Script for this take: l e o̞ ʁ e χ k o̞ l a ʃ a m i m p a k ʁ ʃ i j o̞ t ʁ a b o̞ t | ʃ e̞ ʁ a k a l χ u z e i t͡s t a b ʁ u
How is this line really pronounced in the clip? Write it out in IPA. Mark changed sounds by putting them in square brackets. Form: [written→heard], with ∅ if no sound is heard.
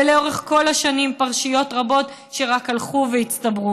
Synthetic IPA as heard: l e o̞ ʁ e χ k o̞ l a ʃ a [m→n] i m p a [k→∅] ʁ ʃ i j o̞ t ʁ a b o̞ t | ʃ e̞ ʁ a k a l χ u [z→v] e i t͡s t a b ʁ u